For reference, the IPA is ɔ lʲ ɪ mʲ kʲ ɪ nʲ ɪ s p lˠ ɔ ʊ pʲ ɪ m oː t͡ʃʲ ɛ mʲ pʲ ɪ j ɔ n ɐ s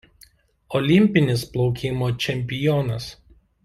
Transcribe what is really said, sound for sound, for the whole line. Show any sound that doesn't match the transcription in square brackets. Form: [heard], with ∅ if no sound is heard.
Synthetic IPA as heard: ɔ lʲ ɪ mʲ [pʲ] ɪ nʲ ɪ s p lˠ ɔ ʊ [kʲ] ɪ m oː t͡ʃʲ ɛ mʲ pʲ ɪ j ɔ n ɐ s